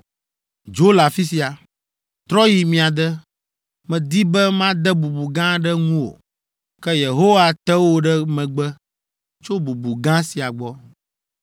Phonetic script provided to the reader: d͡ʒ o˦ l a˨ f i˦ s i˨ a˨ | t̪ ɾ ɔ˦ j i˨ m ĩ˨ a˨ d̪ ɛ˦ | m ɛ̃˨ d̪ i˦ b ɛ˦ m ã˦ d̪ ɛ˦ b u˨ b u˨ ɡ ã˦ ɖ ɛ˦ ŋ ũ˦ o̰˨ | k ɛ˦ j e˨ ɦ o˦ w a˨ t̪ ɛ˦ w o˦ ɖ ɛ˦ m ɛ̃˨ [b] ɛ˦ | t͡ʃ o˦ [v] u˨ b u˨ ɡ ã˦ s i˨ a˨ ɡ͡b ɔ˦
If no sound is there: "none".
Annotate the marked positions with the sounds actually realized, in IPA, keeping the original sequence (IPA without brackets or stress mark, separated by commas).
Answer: ɡ͡b, b